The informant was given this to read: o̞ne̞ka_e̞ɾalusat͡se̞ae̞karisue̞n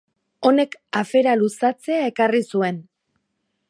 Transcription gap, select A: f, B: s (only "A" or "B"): A